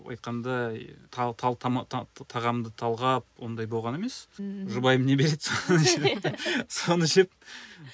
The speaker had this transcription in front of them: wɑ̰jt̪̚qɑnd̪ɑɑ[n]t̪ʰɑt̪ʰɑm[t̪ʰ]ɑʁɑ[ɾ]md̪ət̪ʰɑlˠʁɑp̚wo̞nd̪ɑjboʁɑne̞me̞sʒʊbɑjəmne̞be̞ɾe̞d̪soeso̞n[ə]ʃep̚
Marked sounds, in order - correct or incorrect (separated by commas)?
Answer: incorrect, correct, incorrect, correct